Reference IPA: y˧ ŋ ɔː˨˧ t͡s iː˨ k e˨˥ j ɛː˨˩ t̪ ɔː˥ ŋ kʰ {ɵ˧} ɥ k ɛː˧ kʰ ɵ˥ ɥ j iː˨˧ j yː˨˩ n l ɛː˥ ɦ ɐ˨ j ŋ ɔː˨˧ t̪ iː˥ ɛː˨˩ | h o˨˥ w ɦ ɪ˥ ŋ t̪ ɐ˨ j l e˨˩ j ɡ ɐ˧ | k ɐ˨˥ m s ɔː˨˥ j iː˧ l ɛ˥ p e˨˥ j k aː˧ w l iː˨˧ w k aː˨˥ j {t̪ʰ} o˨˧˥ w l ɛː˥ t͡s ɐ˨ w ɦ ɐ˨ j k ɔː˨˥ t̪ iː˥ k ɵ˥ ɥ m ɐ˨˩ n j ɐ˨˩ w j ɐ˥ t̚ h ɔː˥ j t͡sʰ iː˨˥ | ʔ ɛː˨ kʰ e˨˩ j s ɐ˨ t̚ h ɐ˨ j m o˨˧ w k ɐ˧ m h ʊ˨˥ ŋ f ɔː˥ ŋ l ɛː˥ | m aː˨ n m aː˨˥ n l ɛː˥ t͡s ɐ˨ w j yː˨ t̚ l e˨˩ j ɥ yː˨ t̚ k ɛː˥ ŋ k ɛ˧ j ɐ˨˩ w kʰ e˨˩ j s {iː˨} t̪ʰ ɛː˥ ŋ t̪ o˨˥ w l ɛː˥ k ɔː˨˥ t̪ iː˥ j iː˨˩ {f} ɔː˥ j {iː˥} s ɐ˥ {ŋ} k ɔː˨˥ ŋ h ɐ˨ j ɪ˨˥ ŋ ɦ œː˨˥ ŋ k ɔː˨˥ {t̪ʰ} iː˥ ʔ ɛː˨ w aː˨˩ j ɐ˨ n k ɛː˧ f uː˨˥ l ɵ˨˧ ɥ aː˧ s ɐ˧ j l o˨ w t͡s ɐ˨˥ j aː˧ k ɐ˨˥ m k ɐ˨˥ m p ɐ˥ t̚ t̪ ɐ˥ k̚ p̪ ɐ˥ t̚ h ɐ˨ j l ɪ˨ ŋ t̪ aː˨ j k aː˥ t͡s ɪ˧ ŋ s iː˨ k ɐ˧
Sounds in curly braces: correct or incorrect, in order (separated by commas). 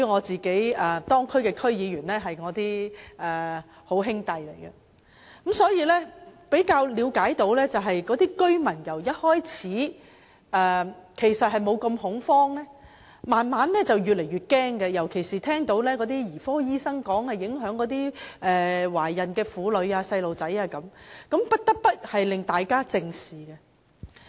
incorrect, incorrect, correct, correct, correct, correct, incorrect